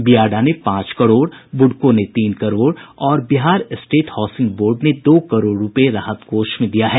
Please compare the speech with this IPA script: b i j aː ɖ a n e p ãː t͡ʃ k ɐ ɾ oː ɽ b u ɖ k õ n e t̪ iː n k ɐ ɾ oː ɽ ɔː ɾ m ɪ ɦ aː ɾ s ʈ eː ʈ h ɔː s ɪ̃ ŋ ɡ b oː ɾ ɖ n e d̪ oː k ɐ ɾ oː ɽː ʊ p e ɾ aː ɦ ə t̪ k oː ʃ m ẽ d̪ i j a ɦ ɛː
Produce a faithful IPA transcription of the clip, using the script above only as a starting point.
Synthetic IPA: b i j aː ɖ a n e p ãː t͡ʃ k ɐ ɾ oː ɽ b ʊ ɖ k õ n e t̪ iː n k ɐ ɾ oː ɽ ɔː ɾ b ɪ ɦ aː ɾ s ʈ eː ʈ h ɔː s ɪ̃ ŋ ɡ b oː ɾ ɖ n e d̪ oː k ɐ ɾ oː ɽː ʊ p e ɾ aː ɦ ə t̪ k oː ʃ m ẽ d̪ i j a ɦ ɛː